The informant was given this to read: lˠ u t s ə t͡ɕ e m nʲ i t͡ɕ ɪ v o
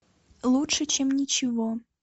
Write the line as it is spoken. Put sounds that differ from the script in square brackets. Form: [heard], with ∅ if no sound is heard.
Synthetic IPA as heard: lˠ u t [ʂ] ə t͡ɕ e m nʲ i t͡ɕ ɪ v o